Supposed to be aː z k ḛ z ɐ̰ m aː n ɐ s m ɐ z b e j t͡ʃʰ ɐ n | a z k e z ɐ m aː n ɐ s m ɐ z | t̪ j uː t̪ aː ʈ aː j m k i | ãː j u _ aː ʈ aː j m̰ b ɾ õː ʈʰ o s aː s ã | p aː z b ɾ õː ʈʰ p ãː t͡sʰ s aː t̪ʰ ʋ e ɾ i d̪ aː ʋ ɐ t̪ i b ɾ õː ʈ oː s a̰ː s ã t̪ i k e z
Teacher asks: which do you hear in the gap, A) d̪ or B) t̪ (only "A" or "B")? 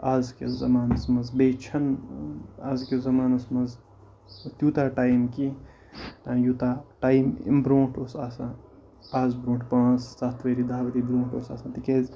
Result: B